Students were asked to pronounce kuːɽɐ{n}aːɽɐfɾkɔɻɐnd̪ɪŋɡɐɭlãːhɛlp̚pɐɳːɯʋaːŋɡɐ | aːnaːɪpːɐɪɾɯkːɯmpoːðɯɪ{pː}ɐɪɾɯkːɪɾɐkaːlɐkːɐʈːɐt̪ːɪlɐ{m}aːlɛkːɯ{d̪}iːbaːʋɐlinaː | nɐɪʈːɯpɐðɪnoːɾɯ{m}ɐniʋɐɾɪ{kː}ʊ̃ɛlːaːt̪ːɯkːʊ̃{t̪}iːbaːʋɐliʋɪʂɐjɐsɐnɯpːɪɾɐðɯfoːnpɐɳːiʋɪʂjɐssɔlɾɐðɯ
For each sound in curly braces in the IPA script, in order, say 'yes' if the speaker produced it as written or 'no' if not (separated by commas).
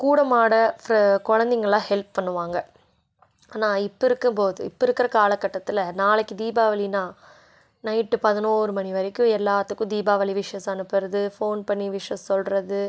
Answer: no, yes, no, yes, yes, yes, no